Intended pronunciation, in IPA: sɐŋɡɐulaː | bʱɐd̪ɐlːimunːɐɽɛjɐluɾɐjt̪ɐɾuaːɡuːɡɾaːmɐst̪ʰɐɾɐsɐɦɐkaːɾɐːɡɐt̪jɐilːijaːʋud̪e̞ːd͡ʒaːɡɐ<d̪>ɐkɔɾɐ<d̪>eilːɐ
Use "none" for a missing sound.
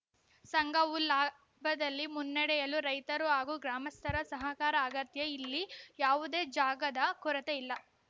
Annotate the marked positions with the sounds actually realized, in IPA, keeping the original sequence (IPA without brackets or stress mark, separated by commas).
d̪, t̪